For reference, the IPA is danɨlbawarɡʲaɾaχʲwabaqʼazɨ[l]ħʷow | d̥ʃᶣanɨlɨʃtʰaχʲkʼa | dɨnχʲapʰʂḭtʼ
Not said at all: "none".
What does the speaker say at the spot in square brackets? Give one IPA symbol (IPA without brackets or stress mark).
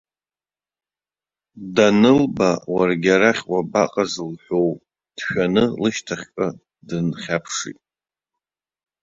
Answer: l